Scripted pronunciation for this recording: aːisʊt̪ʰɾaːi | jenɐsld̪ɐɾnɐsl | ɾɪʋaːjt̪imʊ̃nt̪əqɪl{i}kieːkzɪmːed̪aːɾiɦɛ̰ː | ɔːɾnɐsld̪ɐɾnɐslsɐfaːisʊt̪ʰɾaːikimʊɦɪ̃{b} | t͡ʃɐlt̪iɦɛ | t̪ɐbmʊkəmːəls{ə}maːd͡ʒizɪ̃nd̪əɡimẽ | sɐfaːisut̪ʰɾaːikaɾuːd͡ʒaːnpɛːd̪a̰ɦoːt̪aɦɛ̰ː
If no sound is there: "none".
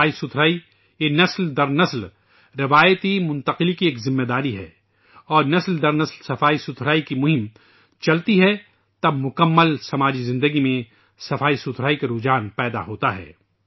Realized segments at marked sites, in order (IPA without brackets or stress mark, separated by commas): i, m, ɐ